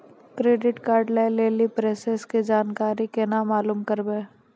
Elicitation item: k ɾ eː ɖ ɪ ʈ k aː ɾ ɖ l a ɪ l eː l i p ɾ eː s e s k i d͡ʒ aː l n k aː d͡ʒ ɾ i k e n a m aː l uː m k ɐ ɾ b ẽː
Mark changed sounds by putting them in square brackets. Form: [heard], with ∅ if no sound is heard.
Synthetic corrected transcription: k ɾ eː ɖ ɪ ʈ k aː ɾ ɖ l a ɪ l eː l i p ɾ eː s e s k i d͡ʒ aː [∅] n k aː [∅] ɾ i k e n a m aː l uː m k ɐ ɾ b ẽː